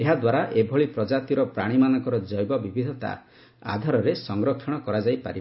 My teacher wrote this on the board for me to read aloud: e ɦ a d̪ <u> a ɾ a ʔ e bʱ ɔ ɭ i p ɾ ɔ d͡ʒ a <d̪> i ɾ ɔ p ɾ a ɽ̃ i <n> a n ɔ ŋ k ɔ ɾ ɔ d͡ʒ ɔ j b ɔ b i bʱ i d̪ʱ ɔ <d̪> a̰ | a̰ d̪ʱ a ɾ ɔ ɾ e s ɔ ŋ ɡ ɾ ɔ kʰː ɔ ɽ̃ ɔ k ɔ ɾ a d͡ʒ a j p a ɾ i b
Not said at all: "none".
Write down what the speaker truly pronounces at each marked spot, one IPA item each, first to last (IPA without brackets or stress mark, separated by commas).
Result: w, t̪, m, t̪